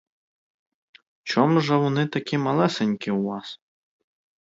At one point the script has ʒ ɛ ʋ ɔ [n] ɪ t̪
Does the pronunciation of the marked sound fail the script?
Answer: no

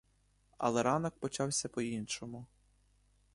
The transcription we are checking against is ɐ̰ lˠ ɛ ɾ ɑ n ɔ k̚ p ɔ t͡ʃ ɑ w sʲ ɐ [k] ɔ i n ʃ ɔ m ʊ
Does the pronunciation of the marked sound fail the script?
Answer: yes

